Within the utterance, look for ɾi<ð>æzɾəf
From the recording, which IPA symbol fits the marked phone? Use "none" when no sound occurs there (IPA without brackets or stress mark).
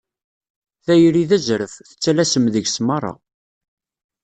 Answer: ð